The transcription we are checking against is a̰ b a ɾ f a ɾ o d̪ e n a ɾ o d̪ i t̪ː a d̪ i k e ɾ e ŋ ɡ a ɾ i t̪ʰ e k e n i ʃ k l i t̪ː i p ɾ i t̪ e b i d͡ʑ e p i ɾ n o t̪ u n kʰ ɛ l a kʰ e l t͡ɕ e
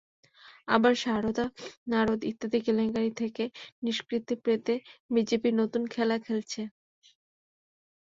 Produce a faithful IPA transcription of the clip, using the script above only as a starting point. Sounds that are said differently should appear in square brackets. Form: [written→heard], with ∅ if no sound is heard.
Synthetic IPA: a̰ b a ɾ [f→ʃ] a ɾ o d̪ [e→a] n a ɾ o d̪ i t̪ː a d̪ i k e [ɾ→l] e ŋ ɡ a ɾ i t̪ʰ e k e n i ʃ k [l→ɾ] i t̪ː i p ɾ [i→e] t̪ e b i d͡ʑ e p i ɾ n o t̪ u n kʰ ɛ l a kʰ e l [t͡ɕ→t͡ɕʰ] e